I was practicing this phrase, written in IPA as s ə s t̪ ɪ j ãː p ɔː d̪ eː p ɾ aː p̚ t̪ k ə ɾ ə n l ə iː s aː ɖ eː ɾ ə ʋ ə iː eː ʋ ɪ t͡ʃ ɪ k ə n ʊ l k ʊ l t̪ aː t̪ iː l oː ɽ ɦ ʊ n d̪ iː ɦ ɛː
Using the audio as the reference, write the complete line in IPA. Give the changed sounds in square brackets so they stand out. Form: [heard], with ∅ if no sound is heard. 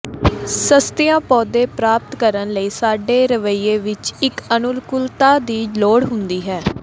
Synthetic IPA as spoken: s ə s t̪ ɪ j ãː p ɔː d̪ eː p ɾ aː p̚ t̪ k ə ɾ ə n l ə iː s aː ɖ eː ɾ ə ʋ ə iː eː ʋ ɪ t͡ʃ ɪ k ə n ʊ l k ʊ l t̪ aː [d̪] iː l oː ɽ ɦ ʊ n d̪ iː ɦ ɛː